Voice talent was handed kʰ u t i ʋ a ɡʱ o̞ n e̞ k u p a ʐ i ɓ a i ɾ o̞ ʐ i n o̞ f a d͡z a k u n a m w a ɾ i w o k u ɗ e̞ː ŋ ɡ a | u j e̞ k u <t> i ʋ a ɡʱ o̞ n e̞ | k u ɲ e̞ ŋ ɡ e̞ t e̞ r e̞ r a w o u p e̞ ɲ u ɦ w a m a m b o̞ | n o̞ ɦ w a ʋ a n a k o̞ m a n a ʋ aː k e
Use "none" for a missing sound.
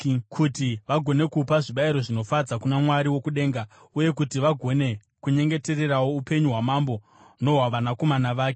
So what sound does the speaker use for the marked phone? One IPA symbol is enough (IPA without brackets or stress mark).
t